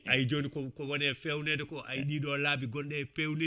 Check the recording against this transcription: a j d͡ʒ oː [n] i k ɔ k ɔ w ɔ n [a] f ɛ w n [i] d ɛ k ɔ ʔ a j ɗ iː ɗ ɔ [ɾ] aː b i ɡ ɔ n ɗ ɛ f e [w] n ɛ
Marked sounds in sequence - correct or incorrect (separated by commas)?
correct, incorrect, incorrect, incorrect, correct